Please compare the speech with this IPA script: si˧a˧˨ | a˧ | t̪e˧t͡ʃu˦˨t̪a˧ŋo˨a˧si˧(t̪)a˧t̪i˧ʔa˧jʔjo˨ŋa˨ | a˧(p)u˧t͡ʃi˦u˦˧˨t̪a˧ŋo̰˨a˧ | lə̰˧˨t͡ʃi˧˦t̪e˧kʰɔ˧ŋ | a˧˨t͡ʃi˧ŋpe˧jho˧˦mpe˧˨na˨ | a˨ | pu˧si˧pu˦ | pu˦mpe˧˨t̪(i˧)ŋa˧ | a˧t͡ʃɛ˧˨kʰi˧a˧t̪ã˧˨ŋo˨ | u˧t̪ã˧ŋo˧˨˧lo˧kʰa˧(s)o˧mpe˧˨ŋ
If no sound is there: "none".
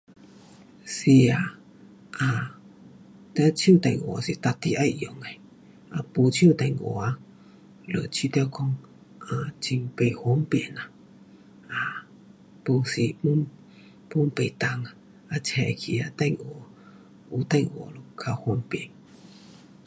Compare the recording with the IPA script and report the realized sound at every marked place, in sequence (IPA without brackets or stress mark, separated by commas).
t̪, p, a˧, h